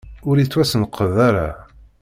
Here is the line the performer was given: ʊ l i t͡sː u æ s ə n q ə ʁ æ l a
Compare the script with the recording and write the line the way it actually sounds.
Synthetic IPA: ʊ ɾ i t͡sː w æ s ə n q ə ð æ ɾ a